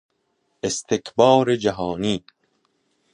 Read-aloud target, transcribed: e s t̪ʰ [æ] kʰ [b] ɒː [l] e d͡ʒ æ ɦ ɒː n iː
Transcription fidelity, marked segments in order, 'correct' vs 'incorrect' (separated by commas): incorrect, correct, incorrect